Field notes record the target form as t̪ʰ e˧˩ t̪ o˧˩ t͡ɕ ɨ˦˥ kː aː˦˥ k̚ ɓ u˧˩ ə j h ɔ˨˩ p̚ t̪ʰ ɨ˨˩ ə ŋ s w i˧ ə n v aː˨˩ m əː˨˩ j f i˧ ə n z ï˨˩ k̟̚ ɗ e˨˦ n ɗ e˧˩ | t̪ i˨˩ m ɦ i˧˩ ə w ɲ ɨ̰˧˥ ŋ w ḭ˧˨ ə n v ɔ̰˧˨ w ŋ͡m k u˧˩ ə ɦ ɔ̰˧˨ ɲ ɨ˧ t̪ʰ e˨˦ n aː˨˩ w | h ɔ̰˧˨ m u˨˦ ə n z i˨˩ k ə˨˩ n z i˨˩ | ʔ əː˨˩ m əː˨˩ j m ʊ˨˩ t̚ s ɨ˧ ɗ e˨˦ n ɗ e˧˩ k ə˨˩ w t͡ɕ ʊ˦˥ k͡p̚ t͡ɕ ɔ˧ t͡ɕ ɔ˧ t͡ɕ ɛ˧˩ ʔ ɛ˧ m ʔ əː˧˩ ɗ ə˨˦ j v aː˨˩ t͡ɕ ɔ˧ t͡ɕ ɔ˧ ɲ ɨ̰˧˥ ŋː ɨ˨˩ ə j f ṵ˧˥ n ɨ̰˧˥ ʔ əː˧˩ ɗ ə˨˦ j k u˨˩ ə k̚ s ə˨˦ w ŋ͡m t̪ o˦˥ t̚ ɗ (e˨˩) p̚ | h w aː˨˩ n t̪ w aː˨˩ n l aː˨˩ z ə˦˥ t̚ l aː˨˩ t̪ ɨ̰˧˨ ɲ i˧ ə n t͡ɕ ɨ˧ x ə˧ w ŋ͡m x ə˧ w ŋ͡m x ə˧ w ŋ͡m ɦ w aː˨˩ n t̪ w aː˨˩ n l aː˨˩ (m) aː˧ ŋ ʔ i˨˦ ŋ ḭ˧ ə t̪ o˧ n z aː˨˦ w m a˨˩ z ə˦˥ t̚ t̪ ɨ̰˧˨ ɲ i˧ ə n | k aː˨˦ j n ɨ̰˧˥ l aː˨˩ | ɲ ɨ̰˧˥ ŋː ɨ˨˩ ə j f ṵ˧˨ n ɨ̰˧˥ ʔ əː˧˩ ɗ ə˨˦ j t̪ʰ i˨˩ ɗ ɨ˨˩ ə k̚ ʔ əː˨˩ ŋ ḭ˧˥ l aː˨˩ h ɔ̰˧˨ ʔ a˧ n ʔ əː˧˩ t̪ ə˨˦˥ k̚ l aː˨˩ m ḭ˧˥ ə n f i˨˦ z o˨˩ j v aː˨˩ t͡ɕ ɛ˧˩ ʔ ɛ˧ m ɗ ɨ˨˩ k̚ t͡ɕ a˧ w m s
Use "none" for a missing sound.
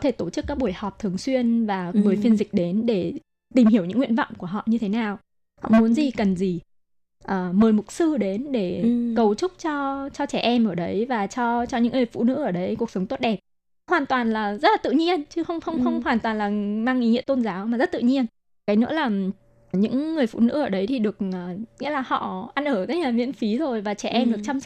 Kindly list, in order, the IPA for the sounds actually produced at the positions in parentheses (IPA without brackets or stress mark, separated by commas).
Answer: ɛ˨˩, m